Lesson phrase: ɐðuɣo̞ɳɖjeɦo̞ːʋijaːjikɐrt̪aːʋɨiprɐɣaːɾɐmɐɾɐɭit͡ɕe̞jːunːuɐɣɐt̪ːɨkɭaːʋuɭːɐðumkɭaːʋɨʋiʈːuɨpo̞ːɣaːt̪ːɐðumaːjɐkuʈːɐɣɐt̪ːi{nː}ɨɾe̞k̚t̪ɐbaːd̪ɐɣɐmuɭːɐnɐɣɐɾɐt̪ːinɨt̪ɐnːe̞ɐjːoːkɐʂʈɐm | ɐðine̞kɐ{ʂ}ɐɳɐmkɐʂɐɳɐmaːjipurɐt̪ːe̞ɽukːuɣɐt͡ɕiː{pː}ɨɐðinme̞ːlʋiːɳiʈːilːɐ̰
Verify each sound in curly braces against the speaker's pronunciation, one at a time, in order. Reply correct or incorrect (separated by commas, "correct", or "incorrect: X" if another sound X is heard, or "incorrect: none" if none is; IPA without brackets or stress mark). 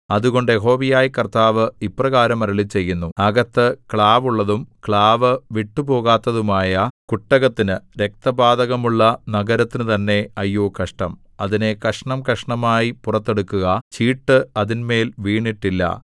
incorrect: n, correct, incorrect: ʈː